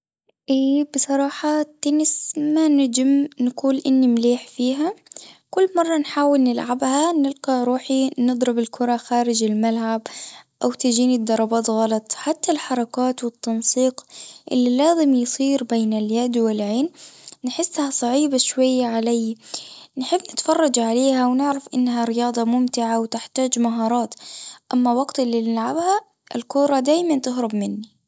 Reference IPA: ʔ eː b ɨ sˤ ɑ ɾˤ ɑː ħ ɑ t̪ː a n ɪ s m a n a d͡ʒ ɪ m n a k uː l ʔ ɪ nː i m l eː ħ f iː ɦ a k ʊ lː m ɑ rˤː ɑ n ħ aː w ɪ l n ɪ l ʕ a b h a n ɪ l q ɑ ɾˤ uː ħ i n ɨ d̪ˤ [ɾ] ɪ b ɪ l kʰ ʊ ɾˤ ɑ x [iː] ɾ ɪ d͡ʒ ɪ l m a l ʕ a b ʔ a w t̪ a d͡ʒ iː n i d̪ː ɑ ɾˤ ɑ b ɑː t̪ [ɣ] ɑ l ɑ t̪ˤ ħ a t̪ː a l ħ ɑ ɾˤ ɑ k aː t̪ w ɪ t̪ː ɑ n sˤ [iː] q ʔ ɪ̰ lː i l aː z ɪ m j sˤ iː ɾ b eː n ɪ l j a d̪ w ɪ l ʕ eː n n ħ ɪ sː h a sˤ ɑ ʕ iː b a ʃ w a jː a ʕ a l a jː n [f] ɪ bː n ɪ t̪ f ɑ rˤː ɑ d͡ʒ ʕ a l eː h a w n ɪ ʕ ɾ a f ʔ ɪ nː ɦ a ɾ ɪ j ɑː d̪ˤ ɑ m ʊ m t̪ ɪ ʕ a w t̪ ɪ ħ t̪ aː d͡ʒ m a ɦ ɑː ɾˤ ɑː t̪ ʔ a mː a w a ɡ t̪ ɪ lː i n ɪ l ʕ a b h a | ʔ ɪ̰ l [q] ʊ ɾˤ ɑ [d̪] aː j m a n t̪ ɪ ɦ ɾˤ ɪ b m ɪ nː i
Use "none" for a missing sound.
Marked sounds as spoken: ɾ, aː, ɣ, iː, ħ, k, d̪

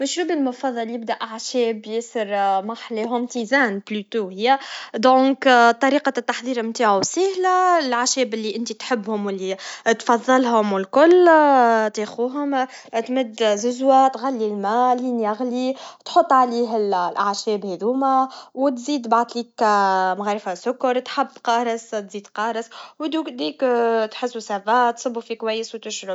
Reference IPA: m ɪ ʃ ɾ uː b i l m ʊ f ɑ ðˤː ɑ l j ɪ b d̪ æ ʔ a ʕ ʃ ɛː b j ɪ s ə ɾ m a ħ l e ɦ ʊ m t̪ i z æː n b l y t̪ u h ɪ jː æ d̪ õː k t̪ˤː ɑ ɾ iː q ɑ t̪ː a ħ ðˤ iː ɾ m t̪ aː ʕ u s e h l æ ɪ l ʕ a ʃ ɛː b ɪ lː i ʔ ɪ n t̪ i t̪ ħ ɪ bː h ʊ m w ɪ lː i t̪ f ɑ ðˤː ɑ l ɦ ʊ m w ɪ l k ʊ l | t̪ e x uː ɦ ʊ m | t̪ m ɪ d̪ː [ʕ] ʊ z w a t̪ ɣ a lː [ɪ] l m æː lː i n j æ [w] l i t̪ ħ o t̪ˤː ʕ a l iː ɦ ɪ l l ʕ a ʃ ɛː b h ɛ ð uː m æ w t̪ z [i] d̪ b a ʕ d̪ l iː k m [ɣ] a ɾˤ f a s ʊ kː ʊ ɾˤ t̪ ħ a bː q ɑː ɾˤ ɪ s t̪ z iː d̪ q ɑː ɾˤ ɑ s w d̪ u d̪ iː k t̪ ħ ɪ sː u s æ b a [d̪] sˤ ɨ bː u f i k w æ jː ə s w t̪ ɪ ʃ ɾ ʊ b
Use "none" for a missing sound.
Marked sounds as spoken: z, i, ɣ, iː, ɣ, t̪

